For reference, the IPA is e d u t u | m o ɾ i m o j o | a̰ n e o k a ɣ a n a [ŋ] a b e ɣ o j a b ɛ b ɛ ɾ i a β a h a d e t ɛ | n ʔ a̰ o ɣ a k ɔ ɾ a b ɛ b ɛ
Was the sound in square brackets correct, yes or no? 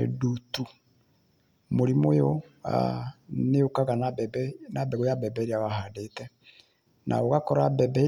no